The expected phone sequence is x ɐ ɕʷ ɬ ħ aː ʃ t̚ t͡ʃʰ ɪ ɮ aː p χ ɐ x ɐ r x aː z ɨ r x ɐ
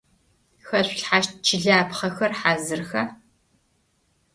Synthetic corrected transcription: x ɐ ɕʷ ɬ ħ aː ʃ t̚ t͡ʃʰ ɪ ɮ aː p χ ɐ x ɐ r ħ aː z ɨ r x ɐ

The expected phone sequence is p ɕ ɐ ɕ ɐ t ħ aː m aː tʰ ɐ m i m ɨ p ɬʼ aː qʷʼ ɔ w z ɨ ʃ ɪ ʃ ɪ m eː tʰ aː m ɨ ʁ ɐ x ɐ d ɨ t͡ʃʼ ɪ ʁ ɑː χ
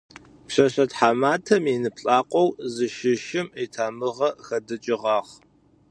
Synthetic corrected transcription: p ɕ ɐ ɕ ɐ t ħ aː m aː tʰ ɐ m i n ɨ p ɬʼ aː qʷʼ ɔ w z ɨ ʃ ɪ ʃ ɪ m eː tʰ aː m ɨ ʁ ɐ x ɐ d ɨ t͡ʃʼ ɪ ʁ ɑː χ

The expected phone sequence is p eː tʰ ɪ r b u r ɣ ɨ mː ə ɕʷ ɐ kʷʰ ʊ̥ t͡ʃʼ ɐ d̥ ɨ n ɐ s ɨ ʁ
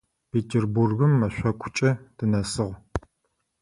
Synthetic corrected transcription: p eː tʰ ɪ r b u r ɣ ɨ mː ɐ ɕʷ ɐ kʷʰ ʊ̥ t͡ʃʼ ɐ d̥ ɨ n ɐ s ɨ ʁ

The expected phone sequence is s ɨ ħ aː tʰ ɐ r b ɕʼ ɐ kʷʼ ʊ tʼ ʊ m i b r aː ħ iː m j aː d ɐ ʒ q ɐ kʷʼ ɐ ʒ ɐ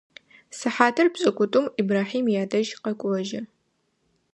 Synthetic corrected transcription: s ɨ ħ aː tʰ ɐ r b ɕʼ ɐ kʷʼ ʊ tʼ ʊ m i b r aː ħ iː m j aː d ɐ ʒ q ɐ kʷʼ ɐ ʒ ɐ

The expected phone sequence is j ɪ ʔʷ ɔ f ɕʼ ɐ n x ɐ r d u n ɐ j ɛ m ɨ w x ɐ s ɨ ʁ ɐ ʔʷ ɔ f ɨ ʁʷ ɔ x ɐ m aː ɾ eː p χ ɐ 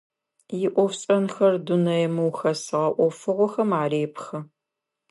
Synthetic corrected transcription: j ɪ ʔʷ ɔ f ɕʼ ɐ n x ɐ r d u n ɐ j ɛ m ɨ w x ɐ s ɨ ʁ ɐ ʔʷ ɔ f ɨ ʁʷ ɔ x ɐ m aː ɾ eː p x ɐ

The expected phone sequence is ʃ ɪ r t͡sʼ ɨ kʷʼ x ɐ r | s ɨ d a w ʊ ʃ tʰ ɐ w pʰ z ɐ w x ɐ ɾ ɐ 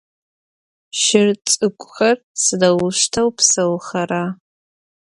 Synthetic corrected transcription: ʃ ɪ r t͡sʼ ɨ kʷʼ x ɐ r | s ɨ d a w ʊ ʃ tʰ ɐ w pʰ s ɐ w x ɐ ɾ a

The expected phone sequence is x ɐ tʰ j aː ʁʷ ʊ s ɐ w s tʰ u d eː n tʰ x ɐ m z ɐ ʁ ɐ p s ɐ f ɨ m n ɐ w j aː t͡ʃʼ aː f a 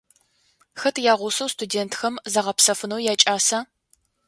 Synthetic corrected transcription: x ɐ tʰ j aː ʁʷ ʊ s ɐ w s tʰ u d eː n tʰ x ɐ m z ɐ ʁ ɐ p s ɐ f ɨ n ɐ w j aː t͡ʃʼ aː s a

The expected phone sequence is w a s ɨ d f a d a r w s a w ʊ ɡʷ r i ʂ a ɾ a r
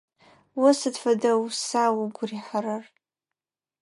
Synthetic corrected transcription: w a s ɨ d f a d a w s a w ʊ ɡʷ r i ħ a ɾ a r

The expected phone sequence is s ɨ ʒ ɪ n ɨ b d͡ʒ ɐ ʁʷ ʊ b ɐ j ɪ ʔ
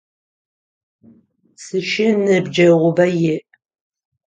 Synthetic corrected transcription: s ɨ ʃ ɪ n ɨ b d͡ʒ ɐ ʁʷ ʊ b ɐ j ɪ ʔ

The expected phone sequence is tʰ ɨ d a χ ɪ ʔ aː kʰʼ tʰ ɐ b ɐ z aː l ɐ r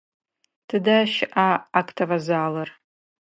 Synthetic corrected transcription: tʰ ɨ d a ʃ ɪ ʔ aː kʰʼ tʰ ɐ v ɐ z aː l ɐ r

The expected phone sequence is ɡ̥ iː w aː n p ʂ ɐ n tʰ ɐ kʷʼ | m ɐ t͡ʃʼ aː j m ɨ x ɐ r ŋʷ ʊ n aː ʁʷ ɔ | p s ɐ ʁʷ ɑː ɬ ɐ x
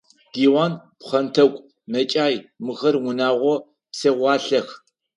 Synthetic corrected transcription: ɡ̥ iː w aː n p χ ɐ n tʰ ɐ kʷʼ | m ɐ t͡ʃʼ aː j m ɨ x ɐ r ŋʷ ʊ n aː ʁʷ ɔ | p s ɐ ʁʷ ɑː ɬ ɐ x

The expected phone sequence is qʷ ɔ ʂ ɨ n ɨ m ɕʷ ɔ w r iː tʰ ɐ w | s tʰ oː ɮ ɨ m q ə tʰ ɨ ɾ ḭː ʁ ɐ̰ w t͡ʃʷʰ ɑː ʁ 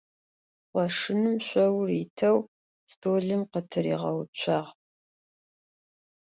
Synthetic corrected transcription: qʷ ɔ ʂ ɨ n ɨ m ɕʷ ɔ w r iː tʰ ɐ w | s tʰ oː ɮ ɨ m q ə tʰ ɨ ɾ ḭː ʁ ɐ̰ w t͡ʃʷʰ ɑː ʁ

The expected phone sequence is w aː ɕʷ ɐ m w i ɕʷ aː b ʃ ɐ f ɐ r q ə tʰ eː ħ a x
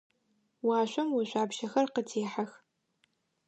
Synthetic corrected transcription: w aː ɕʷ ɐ m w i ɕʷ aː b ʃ ɐ x ɐ r q ə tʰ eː ħ a x

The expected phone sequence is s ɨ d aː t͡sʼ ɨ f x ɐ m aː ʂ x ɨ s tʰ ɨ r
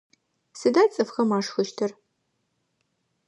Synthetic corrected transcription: s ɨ d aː t͡sʼ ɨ f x ɐ m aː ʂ x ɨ ʃ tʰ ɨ r

